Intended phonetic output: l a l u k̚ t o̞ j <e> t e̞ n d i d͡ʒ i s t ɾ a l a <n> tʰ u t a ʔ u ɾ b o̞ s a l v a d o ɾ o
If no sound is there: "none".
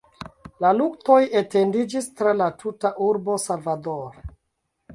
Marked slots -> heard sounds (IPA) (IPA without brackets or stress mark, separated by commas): e, none